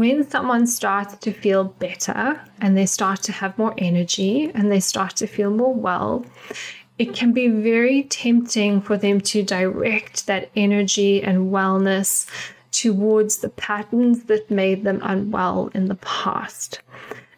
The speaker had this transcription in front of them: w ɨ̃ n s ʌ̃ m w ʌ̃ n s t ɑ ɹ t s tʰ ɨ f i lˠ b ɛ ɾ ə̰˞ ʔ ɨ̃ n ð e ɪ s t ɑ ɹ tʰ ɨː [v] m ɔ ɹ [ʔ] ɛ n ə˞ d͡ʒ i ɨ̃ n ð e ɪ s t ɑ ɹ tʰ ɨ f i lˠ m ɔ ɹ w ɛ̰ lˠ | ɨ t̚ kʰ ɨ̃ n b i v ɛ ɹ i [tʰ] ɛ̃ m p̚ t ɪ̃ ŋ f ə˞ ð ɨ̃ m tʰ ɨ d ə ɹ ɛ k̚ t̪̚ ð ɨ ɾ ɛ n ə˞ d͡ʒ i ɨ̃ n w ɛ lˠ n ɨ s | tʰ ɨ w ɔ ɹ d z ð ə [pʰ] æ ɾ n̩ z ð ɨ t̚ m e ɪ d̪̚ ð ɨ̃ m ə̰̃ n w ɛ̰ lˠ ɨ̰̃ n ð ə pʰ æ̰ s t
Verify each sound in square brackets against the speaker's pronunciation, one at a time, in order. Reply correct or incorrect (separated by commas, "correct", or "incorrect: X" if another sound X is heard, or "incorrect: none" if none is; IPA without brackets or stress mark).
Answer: correct, correct, correct, correct